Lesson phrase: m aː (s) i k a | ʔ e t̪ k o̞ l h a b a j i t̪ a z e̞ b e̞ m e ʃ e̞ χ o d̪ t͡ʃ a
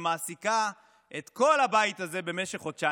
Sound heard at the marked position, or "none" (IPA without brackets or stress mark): s